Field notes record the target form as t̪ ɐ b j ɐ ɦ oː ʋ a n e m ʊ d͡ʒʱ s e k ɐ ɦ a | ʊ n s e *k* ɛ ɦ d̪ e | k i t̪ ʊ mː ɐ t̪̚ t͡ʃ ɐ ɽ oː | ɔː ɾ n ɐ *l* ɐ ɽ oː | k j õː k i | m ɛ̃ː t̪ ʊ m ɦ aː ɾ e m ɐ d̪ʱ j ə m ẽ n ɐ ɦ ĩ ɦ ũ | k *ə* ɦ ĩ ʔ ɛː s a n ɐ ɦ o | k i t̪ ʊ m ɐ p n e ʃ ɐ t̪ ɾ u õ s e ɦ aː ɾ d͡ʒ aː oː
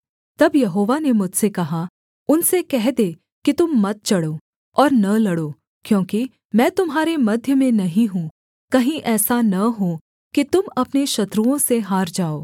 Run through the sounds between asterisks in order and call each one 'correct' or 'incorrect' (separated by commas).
correct, correct, incorrect